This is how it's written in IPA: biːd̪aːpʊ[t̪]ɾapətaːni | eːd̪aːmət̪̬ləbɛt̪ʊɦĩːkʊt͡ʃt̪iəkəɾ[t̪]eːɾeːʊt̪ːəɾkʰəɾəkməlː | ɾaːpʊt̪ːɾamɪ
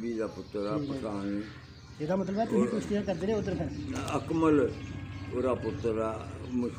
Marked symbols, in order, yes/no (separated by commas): yes, no